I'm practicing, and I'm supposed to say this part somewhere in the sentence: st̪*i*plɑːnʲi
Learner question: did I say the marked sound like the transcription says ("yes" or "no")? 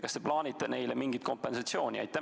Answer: no